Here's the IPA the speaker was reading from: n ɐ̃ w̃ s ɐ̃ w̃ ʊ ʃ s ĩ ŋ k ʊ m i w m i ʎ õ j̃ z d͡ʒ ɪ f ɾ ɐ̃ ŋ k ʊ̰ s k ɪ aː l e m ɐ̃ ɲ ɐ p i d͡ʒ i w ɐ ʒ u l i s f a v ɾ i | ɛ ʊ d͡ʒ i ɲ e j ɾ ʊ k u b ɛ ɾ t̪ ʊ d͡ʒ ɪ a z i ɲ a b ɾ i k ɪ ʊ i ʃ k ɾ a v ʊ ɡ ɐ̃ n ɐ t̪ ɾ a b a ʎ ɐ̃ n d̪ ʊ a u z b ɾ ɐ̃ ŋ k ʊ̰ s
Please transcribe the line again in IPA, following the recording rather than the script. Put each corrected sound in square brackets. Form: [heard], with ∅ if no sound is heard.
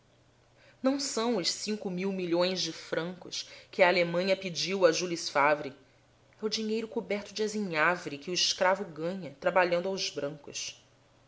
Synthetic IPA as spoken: n ɐ̃ w̃ s ɐ̃ w̃ ʊ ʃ s ĩ ŋ k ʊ m i w m i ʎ õ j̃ z d͡ʒ ɪ f ɾ ɐ̃ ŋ k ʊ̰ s k ɪ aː l e m ɐ̃ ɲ ɐ p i d͡ʒ i w ɐ ʒ u l i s f a v ɾ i | ɛ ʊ d͡ʒ i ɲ e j ɾ ʊ k u b ɛ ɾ t̪ ʊ d͡ʒ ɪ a z i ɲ a [v] ɾ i k ɪ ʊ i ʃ k ɾ a v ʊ ɡ ɐ̃ [ɲ] ɐ t̪ ɾ a b a ʎ ɐ̃ n d̪ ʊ a [w] z b ɾ ɐ̃ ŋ k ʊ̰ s